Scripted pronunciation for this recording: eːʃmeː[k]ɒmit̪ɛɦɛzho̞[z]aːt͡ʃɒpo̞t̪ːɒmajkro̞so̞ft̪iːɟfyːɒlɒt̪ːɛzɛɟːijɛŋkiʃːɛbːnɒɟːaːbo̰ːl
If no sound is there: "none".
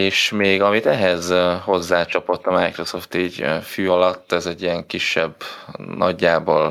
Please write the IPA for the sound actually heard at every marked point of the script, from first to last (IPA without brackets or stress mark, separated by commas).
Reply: ɡ, zː